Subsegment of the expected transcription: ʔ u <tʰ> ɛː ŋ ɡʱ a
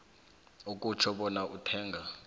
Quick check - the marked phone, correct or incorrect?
correct